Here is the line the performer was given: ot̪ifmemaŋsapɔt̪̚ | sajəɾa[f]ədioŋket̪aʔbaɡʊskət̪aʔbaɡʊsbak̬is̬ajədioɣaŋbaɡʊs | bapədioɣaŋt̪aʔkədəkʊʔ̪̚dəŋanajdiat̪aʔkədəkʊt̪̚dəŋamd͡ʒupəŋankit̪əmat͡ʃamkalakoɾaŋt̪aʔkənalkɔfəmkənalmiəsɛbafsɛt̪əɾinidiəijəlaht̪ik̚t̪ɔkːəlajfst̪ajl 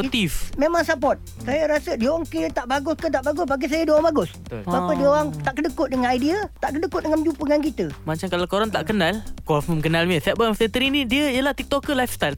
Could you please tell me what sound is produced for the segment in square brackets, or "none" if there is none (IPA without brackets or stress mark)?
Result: s